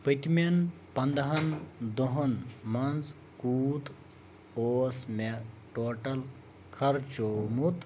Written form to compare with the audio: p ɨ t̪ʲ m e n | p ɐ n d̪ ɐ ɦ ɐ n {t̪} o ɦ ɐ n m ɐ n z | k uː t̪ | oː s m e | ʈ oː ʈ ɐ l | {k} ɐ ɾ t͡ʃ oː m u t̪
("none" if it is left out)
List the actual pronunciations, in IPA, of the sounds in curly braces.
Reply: d̪, kʰ

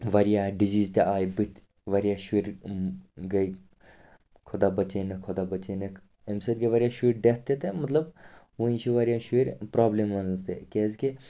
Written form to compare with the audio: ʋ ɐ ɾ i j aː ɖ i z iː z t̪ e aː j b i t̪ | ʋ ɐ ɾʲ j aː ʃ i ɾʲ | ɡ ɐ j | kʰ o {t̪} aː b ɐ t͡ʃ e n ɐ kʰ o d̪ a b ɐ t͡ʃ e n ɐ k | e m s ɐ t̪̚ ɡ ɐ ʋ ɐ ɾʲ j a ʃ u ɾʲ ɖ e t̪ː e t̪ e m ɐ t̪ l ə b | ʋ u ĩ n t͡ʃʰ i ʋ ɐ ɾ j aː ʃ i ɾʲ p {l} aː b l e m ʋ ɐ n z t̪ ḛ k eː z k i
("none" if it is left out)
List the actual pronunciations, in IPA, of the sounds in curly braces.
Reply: d̪, ɾ

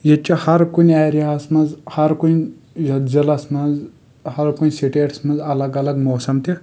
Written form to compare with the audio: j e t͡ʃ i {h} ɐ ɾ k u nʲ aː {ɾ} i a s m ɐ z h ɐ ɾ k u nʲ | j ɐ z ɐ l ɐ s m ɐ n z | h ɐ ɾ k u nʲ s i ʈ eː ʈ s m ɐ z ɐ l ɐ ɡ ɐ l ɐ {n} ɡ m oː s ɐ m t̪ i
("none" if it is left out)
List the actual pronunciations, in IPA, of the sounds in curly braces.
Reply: h, ɾ, none

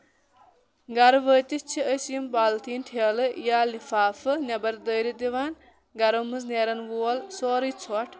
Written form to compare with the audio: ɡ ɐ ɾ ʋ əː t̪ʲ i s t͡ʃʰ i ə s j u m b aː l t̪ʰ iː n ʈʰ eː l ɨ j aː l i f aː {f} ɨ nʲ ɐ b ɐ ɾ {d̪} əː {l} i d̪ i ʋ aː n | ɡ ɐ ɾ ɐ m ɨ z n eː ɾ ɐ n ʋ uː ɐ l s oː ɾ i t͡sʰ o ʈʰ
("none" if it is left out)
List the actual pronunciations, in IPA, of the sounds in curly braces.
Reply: f, d̪, ɾ

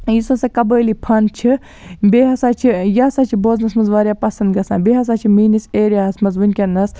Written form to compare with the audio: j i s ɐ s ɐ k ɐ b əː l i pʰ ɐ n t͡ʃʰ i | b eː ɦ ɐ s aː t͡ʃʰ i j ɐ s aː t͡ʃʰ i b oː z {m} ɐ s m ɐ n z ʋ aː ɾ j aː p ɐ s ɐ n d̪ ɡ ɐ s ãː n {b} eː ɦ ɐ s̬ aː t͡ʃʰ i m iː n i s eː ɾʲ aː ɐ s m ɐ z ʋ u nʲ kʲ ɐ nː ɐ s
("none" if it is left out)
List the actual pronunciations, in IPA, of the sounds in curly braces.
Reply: n, b

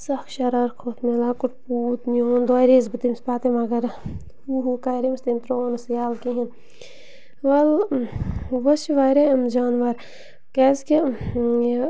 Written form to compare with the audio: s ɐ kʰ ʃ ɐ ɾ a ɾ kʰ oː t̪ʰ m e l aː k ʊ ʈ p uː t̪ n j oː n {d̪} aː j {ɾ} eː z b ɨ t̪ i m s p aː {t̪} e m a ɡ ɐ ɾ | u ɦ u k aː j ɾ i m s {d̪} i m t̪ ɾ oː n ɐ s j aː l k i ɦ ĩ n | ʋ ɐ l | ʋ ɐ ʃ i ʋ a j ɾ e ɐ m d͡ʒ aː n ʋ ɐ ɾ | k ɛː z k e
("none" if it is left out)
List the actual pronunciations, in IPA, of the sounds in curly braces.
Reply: d̪, ɾ, t̪, t̪

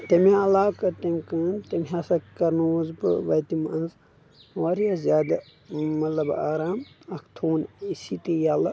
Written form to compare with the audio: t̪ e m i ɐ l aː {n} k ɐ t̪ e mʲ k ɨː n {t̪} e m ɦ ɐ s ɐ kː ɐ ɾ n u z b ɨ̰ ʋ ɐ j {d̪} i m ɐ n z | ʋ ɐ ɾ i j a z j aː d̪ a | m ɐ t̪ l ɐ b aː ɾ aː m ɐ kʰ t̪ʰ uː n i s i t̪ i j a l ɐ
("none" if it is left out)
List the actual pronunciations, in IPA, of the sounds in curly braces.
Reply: none, t̪, t̪

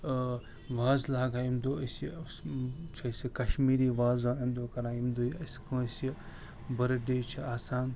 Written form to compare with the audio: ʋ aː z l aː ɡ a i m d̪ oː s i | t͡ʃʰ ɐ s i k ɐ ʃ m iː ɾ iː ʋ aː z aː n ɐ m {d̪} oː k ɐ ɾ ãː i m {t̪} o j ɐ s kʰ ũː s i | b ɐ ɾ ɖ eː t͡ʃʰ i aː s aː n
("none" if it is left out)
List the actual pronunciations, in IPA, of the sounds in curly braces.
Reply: d̪, d̪

